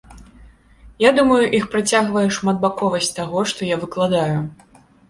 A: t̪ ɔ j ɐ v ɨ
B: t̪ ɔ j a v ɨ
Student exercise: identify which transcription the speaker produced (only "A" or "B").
B